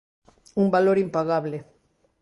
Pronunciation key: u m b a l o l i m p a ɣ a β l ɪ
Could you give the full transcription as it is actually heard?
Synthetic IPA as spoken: u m b a l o ɾ i m p a ɣ a β l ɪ